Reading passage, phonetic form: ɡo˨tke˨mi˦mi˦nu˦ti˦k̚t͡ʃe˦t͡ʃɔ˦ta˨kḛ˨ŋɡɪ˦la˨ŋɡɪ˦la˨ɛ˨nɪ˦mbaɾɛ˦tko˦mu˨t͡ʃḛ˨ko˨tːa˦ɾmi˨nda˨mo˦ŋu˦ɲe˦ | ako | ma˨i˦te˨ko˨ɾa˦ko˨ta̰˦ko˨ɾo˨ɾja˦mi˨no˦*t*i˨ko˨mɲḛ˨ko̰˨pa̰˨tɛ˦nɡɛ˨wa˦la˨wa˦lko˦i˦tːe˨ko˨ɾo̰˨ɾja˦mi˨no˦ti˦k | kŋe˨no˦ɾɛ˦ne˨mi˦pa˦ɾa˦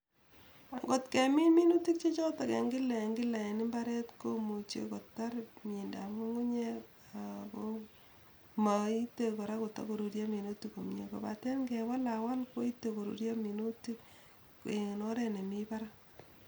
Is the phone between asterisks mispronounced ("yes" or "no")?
no